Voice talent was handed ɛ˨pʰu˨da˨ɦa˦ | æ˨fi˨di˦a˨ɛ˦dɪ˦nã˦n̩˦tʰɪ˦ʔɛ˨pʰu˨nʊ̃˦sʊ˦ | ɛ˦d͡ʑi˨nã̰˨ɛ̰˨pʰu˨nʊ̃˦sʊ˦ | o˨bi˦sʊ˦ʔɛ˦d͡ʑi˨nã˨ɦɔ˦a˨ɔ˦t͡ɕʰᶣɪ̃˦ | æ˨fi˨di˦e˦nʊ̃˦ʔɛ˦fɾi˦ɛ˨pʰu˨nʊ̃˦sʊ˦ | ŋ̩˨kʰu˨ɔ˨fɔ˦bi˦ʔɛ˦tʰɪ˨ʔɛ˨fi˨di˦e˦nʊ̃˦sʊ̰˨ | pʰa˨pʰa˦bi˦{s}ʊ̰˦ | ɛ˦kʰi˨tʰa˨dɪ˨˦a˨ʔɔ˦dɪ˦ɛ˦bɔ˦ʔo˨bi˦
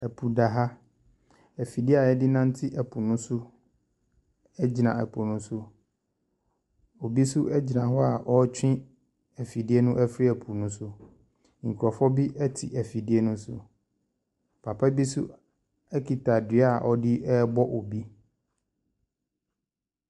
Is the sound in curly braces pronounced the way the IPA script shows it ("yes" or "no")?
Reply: yes